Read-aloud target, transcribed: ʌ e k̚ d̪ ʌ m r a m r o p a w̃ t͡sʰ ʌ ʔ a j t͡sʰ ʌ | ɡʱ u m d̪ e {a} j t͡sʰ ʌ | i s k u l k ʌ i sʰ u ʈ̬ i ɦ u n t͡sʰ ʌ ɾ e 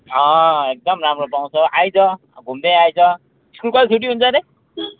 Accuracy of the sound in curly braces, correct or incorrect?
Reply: correct